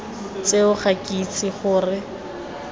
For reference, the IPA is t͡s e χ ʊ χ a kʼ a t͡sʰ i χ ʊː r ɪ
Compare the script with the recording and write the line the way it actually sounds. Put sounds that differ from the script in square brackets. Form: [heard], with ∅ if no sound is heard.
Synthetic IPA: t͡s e [∅] ʊ χ a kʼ [i] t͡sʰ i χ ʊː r ɪ